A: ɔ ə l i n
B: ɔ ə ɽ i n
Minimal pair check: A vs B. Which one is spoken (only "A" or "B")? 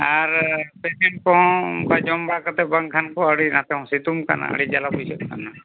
B